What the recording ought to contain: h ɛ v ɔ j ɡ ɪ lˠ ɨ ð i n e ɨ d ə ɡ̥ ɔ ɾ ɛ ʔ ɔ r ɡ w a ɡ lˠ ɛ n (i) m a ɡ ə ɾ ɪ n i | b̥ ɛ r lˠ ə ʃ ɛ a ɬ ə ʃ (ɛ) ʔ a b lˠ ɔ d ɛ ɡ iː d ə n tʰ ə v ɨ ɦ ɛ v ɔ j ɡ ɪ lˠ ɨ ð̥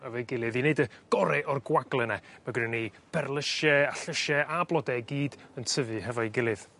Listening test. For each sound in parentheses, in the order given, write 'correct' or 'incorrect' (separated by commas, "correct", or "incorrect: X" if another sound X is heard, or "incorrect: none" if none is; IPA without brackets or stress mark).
incorrect: ɛ, correct